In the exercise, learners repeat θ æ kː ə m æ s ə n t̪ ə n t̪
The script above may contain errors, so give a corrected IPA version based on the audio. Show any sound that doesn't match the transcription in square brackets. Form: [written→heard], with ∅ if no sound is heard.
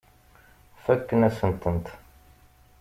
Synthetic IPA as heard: [θ→f] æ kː ə [m→n] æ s ə n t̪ ə n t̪